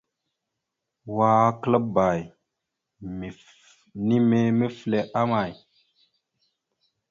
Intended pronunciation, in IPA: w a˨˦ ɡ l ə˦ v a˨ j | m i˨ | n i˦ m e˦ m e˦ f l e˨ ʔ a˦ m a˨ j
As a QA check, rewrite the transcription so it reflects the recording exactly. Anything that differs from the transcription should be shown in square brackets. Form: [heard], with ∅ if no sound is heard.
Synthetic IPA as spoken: w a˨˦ [k] l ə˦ [b] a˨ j | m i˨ | n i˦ m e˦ m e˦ f l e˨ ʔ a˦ m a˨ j